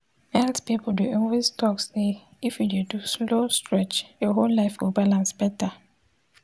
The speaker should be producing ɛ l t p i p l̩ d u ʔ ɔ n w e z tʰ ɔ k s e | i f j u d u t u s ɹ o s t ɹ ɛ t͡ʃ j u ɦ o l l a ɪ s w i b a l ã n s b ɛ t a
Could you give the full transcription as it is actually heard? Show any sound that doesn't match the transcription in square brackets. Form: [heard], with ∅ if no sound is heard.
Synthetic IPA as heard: ɛ l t p i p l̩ d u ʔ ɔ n w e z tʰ ɔ k s e | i f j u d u [d] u s [l] o s t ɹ ɛ t͡ʃ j [ɔ] ɦ o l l a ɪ [f] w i b a l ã n s b ɛ t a